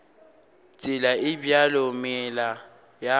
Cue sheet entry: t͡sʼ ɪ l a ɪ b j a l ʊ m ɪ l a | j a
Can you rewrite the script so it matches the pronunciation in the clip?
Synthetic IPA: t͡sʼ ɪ l a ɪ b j a l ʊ m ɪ l a | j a